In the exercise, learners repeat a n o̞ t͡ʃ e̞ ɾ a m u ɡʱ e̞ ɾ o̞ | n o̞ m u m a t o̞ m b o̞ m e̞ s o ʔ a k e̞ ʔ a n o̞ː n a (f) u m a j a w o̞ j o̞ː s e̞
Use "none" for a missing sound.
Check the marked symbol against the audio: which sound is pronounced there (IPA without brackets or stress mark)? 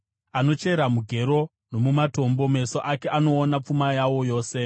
p͡f